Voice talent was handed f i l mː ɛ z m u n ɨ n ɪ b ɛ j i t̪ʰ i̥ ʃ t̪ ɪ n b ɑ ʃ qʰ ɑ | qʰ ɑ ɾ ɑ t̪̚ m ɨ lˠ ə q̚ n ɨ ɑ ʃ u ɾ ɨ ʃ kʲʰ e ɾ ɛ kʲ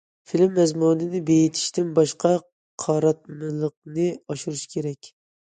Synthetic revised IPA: f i l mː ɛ z m u n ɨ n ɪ b e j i t̪ʰ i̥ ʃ t̪ ɪ n b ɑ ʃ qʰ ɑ | qʰ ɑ ɾ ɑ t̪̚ m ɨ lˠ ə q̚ n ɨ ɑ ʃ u ɾ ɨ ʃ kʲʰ e ɾ ɛ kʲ